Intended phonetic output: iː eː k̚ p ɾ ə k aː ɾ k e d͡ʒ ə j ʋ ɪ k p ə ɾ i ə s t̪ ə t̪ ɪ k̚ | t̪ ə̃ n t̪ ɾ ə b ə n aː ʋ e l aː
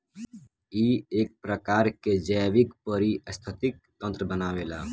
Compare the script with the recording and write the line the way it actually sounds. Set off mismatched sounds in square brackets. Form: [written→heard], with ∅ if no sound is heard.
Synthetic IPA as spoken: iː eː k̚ p ɾ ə k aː ɾ k e d͡ʒ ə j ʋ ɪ k p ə ɾ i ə s [t̪→t̪ʰ] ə t̪ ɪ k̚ | t̪ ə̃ n t̪ ɾ ə b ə n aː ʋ e l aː